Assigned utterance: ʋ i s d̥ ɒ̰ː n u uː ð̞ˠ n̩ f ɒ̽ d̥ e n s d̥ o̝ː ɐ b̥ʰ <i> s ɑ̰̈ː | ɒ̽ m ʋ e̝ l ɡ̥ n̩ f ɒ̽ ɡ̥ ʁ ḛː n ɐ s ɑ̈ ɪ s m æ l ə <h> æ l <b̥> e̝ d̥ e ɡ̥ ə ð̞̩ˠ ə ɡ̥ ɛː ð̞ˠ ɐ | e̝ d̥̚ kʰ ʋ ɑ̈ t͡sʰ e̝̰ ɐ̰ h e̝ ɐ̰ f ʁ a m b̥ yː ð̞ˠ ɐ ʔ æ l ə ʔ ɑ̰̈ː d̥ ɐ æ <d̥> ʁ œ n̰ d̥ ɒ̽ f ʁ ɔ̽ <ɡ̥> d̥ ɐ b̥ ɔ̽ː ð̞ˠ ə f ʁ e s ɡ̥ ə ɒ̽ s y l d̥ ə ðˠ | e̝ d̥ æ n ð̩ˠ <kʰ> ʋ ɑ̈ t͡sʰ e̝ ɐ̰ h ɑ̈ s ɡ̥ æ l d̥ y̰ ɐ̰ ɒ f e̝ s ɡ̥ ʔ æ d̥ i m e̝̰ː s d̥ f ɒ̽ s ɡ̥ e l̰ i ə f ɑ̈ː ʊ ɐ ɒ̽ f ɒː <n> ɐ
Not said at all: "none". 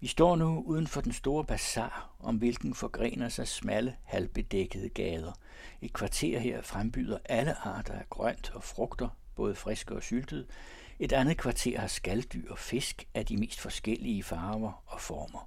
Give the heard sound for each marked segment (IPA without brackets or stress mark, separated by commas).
æ, h, b̥, ɡ̥, ɡ̥, kʰ, m